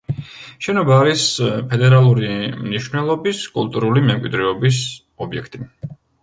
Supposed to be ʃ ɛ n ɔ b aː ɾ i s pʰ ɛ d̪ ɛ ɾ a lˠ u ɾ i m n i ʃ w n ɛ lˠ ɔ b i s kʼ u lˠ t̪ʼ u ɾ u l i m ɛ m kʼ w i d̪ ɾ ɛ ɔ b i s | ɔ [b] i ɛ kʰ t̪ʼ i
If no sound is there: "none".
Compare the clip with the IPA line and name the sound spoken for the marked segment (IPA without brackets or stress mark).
b